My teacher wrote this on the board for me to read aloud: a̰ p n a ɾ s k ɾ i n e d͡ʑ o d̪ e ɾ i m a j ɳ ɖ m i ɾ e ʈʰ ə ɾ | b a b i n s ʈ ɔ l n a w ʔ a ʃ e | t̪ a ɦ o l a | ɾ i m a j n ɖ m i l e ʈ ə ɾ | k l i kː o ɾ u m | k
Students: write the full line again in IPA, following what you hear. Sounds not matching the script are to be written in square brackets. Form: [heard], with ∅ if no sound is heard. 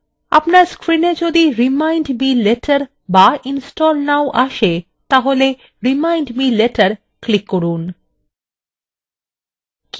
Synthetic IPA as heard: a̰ p n a ɾ s k ɾ i n e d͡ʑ o d̪ [i] ɾ i m a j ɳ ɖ m i [l] e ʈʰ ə ɾ | b a [∅] i n s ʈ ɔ l n a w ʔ a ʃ e | t̪ a ɦ o l [e] | ɾ i m a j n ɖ m i l e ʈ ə ɾ | k l i kː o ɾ u [n] | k